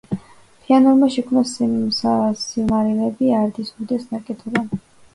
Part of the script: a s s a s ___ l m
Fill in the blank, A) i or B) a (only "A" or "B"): A